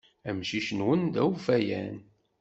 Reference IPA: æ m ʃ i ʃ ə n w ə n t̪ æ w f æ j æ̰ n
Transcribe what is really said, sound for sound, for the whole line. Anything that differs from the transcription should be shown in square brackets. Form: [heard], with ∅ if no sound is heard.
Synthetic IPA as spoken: æ m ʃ i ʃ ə n w ə n [d̪] æ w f æ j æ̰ n